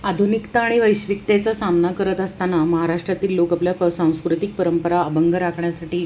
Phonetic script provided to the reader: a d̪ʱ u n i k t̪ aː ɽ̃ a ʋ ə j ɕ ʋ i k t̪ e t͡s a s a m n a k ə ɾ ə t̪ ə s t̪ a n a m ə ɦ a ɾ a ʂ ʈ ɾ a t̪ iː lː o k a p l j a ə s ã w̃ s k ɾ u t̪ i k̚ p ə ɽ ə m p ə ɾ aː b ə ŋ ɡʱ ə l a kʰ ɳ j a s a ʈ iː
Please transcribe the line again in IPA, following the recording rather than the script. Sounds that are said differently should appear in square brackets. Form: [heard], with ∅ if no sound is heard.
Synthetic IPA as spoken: a d̪ʱ u n i k t̪ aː ɽ̃ [i] ʋ ə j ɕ ʋ i k t̪ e t͡s a s a m n a k ə ɾ ə t̪ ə s t̪ a n a m ə ɦ a ɾ a ʂ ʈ ɾ a t̪ iː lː o k a p l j a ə s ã w̃ s k ɾ u t̪ i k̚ p ə [ɾ] ə m p ə ɾ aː b ə ŋ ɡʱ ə [ɾ] a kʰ ɳ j a s a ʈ iː